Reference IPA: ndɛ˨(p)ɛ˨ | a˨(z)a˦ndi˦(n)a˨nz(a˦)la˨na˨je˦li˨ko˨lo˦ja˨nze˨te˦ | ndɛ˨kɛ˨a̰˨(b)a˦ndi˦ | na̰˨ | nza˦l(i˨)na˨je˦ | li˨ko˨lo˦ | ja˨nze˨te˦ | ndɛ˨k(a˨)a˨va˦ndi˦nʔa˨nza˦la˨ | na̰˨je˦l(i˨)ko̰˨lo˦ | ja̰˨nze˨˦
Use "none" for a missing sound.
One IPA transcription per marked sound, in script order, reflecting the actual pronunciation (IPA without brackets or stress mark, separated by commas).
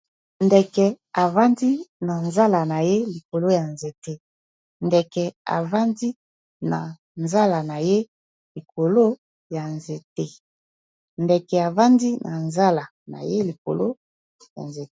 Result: k, v, n, a˦, v, a˨, ɛ˨, i˨